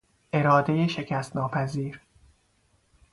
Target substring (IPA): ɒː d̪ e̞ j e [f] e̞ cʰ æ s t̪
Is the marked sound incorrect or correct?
incorrect: ʃ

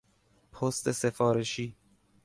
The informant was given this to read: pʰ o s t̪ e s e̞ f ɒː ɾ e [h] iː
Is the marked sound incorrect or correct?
incorrect: ʃ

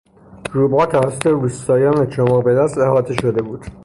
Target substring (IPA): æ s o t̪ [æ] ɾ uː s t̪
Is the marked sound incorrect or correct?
incorrect: e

